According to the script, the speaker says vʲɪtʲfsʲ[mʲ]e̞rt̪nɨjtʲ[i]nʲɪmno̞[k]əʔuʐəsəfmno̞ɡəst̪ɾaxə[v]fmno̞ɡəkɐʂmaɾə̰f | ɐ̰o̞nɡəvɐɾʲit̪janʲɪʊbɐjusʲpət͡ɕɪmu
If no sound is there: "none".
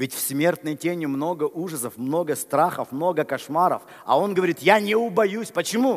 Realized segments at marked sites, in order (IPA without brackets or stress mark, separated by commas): mʲ, e, ɡ, none